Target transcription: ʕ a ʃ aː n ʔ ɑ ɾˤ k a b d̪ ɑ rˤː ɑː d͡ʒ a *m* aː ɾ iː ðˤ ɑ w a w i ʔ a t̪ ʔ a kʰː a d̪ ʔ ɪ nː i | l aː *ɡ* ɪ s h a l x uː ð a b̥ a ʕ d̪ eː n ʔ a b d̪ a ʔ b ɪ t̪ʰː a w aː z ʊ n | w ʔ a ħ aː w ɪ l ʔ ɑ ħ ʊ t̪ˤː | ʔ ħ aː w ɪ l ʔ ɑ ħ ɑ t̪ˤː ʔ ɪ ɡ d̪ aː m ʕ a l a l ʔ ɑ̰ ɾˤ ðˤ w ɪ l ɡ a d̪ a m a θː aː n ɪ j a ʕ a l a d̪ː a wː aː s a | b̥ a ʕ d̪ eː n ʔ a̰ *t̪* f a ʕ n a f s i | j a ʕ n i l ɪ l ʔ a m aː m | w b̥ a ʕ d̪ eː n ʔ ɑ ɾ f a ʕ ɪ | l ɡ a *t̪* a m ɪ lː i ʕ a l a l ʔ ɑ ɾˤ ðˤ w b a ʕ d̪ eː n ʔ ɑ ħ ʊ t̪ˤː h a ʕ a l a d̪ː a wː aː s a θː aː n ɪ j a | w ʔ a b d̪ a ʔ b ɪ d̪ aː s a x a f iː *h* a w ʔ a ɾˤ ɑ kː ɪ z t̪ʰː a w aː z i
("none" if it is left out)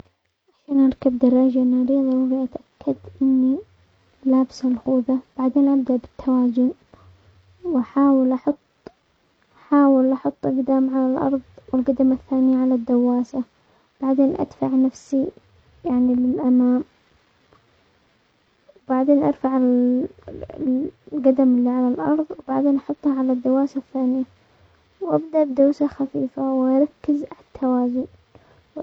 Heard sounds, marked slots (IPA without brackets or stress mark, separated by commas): n, b, d̪, d̪, f